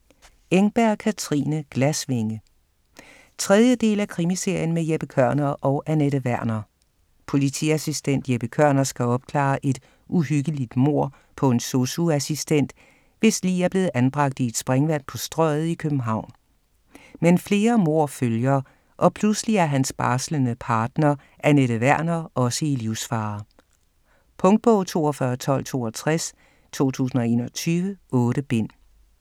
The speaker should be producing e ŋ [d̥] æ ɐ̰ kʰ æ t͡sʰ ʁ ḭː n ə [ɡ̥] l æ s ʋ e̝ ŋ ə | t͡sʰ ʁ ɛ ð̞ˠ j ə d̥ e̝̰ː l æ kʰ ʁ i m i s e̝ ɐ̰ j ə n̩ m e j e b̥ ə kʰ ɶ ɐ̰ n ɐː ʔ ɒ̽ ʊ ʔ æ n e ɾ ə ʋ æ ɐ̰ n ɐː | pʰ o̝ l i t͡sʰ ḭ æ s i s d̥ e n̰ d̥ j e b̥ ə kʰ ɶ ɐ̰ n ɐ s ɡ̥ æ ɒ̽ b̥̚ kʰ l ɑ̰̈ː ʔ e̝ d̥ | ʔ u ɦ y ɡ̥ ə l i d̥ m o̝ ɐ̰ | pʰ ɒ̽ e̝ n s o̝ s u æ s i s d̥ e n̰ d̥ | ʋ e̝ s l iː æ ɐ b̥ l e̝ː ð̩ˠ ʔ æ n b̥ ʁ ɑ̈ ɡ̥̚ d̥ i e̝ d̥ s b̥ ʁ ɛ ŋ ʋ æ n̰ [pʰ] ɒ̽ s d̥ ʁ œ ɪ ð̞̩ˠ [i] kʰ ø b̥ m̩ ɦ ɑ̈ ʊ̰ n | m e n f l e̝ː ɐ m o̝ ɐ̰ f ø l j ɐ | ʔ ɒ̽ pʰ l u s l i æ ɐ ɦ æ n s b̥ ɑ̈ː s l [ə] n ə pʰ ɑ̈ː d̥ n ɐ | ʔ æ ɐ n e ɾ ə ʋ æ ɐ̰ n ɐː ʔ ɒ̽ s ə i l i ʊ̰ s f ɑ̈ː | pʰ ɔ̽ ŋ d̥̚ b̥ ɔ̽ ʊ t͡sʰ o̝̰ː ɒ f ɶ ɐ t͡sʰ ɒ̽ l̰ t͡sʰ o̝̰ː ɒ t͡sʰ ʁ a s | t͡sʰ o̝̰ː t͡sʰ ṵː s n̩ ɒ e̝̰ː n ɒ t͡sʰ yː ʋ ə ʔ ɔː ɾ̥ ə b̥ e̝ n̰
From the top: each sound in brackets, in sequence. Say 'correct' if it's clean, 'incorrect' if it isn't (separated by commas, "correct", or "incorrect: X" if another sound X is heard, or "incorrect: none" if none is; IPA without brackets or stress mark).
incorrect: b̥, correct, correct, correct, correct